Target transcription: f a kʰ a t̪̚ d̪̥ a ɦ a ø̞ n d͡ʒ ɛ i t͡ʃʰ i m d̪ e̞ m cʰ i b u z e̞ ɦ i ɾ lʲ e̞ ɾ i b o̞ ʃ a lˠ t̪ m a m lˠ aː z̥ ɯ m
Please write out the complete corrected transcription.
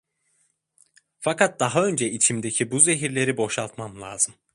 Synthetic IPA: f a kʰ a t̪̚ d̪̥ a ɦ a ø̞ n d͡ʒ ɛ i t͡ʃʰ i m d̪ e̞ cʰ i b u z e̞ ɦ i ɾ lʲ e̞ ɾ i b o̞ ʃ a lˠ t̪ m a m lˠ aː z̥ ɯ m